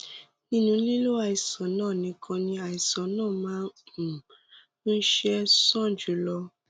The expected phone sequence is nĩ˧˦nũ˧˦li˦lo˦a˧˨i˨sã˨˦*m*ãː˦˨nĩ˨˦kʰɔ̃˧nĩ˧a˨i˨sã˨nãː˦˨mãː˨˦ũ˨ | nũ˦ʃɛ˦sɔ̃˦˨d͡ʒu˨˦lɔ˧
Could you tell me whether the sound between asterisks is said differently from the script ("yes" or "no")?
yes